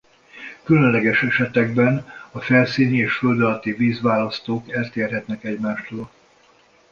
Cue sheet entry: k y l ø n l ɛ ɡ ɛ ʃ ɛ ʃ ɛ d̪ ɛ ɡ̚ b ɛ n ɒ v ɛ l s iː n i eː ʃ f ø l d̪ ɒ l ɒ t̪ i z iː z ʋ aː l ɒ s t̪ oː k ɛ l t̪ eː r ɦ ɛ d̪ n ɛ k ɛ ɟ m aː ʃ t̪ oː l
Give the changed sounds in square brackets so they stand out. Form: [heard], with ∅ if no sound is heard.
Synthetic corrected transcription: k y l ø n l ɛ ɡ ɛ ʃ ɛ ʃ ɛ [t̪] ɛ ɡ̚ b ɛ n ɒ [f] ɛ l s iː n i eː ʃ f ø l d̪ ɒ l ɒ t̪ i [v] iː z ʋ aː l ɒ s t̪ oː k ɛ l t̪ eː r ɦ ɛ [t̪] n ɛ k ɛ ɟ m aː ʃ t̪ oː l